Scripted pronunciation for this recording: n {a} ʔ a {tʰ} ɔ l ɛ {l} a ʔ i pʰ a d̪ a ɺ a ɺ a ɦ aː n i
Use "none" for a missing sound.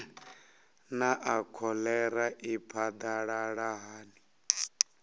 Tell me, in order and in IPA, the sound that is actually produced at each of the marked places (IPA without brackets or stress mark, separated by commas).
a, kʰ, ɾ